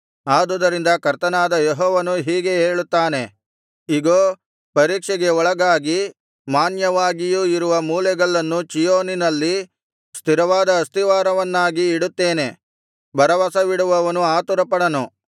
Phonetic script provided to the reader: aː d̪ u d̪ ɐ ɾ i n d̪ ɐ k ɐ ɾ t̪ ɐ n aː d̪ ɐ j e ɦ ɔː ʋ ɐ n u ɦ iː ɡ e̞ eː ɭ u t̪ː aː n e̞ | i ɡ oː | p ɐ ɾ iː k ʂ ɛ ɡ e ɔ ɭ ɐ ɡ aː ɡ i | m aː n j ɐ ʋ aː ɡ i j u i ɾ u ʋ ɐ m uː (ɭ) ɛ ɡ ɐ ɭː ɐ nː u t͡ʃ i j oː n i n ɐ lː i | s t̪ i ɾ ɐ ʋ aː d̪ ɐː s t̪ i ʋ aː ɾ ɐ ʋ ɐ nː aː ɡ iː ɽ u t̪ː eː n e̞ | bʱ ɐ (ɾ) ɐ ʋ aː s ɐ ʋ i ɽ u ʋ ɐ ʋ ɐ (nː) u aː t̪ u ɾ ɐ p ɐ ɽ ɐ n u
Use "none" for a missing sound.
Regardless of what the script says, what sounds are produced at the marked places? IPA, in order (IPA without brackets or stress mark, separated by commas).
l, ɾ, n